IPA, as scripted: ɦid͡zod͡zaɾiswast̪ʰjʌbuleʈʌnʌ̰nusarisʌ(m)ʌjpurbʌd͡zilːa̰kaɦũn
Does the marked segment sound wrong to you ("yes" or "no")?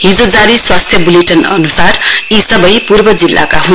yes